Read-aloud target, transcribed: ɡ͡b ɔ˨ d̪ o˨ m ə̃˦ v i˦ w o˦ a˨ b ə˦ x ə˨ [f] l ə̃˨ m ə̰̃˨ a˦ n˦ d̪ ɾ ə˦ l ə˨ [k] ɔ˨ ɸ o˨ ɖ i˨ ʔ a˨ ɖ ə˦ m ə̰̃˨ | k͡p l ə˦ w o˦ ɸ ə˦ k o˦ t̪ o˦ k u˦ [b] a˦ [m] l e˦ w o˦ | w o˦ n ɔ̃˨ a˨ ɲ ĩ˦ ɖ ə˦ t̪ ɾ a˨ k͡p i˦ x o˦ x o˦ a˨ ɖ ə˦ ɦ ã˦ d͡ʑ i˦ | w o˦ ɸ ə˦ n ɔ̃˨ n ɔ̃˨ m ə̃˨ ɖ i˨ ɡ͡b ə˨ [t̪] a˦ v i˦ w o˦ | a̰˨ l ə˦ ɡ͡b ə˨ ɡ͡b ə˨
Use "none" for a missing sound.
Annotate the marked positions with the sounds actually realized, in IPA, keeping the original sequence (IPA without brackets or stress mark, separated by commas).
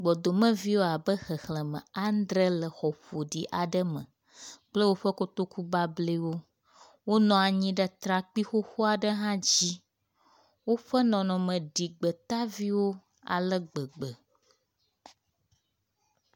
x, x, b, b, t̪